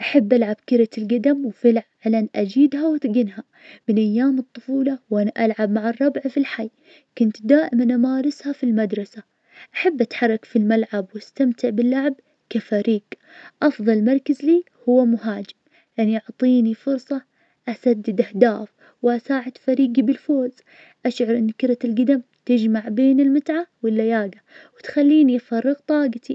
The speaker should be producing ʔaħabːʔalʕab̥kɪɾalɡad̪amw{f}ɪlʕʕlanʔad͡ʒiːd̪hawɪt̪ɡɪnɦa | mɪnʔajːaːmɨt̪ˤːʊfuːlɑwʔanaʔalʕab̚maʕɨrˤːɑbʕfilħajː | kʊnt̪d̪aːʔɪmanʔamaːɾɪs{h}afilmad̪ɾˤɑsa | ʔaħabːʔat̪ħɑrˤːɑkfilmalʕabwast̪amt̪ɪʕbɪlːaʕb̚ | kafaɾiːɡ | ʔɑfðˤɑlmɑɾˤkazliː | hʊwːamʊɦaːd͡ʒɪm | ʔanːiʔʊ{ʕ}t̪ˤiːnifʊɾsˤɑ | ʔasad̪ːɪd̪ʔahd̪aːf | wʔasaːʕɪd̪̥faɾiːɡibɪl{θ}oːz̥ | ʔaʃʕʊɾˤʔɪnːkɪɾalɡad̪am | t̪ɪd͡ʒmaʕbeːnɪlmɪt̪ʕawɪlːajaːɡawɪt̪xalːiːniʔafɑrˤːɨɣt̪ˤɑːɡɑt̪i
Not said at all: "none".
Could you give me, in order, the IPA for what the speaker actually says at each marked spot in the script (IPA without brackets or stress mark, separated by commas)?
f, h, ʕ, f